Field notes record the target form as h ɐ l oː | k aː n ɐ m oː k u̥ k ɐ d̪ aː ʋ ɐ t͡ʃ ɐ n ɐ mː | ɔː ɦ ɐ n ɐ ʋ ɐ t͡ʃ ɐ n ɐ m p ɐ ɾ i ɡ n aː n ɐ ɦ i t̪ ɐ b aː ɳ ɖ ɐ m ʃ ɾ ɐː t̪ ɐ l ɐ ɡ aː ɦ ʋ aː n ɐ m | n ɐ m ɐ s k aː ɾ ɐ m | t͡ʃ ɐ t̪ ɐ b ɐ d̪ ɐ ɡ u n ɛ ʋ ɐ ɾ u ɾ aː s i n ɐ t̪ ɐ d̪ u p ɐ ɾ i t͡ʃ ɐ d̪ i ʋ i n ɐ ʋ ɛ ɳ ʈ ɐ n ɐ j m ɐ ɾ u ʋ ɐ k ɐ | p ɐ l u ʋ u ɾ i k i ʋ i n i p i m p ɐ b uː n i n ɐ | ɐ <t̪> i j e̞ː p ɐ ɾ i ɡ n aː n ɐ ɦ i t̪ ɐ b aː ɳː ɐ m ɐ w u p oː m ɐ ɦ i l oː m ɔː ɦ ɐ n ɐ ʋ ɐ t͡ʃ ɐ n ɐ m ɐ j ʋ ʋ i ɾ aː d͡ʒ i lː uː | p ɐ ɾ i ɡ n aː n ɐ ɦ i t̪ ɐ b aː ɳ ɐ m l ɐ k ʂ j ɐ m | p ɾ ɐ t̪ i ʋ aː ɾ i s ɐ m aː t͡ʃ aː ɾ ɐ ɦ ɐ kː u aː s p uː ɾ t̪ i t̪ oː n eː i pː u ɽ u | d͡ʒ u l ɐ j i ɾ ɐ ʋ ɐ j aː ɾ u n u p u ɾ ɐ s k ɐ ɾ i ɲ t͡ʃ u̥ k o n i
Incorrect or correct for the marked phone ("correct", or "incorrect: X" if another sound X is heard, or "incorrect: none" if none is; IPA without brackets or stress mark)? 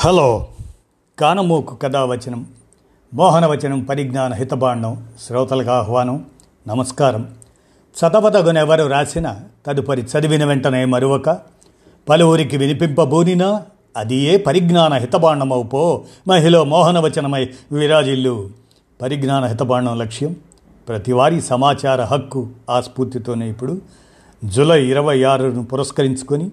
incorrect: d̪